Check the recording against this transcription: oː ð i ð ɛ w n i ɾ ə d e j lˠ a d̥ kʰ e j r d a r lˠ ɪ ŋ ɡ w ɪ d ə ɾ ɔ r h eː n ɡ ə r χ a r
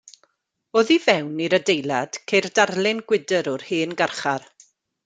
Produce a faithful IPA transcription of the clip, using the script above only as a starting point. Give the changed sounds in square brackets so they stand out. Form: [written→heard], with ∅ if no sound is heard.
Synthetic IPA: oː ð i [ð→v] ɛ w n i ɾ ə d e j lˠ a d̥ kʰ e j r d a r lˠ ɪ [ŋ→n] ɡ w ɪ d ə ɾ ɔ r h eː n ɡ [ə→a] r χ a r